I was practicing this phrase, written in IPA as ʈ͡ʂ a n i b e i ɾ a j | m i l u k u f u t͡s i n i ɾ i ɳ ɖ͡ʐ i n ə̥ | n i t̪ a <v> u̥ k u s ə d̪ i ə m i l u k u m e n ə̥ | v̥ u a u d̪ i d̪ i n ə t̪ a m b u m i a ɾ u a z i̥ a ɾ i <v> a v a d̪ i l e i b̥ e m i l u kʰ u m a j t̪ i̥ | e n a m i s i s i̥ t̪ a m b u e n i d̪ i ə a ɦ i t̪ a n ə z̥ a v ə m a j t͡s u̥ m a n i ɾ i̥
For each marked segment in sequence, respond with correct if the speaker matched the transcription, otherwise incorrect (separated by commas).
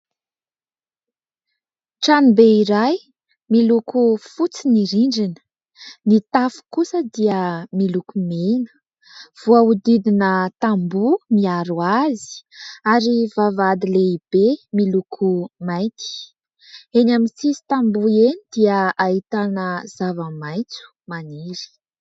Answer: incorrect, correct